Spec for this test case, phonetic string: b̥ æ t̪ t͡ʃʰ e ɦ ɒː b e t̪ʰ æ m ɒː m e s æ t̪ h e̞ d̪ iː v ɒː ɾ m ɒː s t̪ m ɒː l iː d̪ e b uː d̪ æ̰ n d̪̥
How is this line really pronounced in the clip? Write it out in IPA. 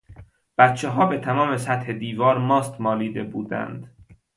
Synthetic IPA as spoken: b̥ æ t̪ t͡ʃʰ e ɦ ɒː b e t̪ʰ æ m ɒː m e s æ t̪ h e̞ d̪ iː v ɒː ɾ m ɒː s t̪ m ɒː l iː d̪ e b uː d̪ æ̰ n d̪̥